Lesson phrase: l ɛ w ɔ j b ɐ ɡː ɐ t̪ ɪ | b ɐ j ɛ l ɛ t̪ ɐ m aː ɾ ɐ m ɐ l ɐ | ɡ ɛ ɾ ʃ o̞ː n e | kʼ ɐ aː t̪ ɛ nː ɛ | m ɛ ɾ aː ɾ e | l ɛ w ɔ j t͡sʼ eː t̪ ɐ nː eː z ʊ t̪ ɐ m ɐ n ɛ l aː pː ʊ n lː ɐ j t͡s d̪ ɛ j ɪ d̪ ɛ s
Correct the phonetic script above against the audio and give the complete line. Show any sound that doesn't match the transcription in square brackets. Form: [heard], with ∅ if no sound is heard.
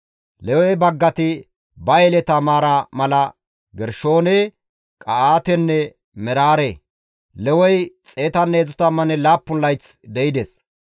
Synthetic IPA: l ɛ w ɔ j b ɐ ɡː ɐ t̪ ɪ | b ɐ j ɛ l ɛ t̪ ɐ m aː ɾ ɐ m ɐ l ɐ | ɡ ɛ ɾ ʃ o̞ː n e | kʼ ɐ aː t̪ ɛ nː ɛ | m ɛ ɾ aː ɾ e | l ɛ w ɔ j t͡sʼ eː t̪ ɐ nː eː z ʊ t̪ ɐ m ɐ n ɛ l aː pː ʊ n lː ɐ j t͡s d̪ ɛ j ɪ d̪ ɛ s

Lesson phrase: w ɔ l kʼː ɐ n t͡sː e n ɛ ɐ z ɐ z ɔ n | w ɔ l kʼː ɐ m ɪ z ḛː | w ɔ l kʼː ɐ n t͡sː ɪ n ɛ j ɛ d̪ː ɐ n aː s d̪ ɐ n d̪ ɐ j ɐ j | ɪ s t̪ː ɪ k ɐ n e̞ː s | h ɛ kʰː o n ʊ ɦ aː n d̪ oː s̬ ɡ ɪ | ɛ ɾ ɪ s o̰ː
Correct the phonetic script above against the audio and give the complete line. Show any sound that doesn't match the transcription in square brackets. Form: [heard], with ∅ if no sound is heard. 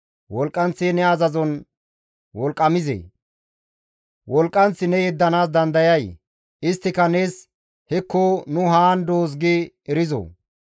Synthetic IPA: w ɔ l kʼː ɐ n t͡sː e n ɛ ɐ z ɐ z ɔ n | w ɔ l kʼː ɐ m ɪ z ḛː | w ɔ l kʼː ɐ n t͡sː ɪ n ɛ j ɛ d̪ː ɐ n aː s d̪ ɐ n d̪ ɐ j ɐ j | ɪ s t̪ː ɪ k ɐ n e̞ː s | h ɛ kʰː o n ʊ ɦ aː n d̪ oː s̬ ɡ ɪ | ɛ ɾ ɪ [z] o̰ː

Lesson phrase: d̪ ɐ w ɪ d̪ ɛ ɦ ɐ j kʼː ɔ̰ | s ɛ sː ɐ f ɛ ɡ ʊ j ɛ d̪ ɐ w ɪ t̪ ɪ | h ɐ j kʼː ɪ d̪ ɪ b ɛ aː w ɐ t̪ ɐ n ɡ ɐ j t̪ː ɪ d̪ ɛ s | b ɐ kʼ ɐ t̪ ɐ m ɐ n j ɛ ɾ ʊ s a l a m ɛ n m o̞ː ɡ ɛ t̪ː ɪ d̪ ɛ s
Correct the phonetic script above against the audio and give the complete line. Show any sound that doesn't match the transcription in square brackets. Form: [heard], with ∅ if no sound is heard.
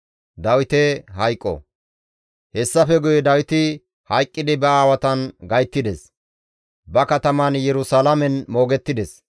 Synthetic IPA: d̪ ɐ w ɪ [t̪] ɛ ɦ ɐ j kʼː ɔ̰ | [h] ɛ sː ɐ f ɛ ɡ ʊ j ɛ d̪ ɐ w ɪ t̪ ɪ | h ɐ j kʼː ɪ d̪ ɪ b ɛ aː w ɐ t̪ ɐ n ɡ ɐ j t̪ː ɪ d̪ ɛ s | b ɐ [k] ɐ t̪ ɐ m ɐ n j ɛ ɾ ʊ s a l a m ɛ n m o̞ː ɡ ɛ t̪ː ɪ d̪ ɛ s

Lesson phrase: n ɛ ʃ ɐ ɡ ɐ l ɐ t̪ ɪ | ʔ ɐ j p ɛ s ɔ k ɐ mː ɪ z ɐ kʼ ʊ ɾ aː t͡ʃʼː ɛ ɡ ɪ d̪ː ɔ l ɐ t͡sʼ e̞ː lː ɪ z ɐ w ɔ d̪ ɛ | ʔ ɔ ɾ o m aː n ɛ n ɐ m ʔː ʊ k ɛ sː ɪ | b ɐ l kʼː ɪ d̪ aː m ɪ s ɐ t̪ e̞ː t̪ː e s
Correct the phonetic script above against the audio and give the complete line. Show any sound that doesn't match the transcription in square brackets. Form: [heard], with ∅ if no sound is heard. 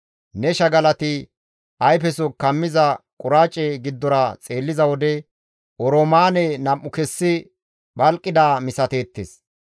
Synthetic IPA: n ɛ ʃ ɐ ɡ ɐ l ɐ t̪ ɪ | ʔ ɐ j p ɛ s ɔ k ɐ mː ɪ z ɐ kʼ ʊ ɾ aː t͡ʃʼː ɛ ɡ ɪ d̪ː ɔ [ɾ] ɐ t͡sʼ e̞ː lː ɪ z ɐ w ɔ d̪ ɛ | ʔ ɔ ɾ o m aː n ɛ n ɐ m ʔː ʊ k ɛ sː ɪ | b ɐ l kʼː ɪ d̪ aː m ɪ s ɐ t̪ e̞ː t̪ː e s

